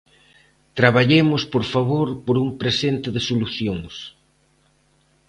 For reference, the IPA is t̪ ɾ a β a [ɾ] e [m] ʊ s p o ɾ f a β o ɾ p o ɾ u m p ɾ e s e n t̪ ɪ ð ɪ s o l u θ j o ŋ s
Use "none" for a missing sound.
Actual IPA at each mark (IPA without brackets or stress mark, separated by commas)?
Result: ʎ, m